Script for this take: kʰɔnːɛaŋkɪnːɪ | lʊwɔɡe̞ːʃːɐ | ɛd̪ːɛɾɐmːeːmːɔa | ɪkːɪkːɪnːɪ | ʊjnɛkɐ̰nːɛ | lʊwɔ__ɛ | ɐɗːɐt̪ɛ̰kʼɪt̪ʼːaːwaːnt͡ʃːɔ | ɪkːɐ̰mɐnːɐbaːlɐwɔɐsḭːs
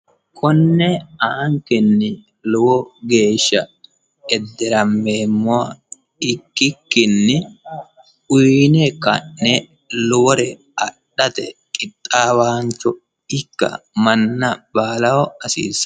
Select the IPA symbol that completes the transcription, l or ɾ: ɾ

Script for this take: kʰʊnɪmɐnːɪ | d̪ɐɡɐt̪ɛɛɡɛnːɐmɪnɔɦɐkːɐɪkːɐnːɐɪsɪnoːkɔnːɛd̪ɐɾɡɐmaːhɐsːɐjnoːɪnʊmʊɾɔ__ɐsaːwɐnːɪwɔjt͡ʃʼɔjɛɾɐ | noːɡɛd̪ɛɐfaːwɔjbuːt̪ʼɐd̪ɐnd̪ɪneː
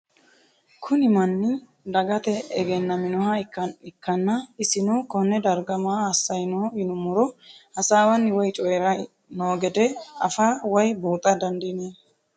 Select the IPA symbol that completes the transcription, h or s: h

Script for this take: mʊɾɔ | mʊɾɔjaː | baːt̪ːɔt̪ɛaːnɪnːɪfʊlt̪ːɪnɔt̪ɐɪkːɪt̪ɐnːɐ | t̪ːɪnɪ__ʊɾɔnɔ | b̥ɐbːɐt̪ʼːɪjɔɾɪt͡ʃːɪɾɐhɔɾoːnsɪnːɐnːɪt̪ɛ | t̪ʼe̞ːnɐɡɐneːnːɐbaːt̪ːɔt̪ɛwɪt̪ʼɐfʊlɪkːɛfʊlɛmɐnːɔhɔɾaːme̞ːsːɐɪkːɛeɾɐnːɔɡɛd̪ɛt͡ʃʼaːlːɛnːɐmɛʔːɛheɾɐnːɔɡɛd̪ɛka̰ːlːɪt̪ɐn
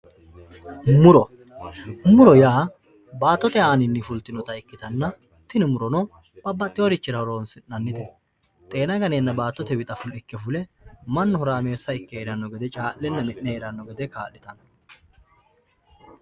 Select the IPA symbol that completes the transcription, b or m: m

